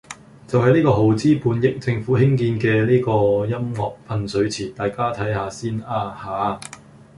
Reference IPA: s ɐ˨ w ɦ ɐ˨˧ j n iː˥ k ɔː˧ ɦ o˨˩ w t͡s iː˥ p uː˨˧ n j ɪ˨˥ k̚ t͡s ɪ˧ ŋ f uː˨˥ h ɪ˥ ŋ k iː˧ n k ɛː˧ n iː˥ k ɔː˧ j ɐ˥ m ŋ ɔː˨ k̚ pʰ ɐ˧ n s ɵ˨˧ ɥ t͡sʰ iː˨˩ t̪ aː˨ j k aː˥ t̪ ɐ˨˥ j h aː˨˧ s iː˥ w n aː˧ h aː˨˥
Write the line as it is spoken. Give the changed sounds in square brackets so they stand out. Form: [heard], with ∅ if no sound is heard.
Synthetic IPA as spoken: [t͡s] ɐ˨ w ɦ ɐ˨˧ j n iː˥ k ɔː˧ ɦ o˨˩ w t͡s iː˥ p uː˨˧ n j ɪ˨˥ k̚ t͡s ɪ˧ ŋ f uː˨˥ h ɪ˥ ŋ k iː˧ n k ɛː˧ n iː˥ k ɔː˧ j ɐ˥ m ŋ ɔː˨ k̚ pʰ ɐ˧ n s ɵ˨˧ ɥ t͡sʰ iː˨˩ t̪ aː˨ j k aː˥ [t̪ʰ] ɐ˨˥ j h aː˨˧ s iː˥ [∅] n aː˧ h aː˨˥